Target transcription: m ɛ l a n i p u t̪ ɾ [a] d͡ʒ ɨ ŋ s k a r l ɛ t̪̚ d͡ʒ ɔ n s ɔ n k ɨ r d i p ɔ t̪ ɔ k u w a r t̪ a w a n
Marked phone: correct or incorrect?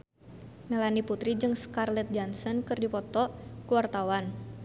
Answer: incorrect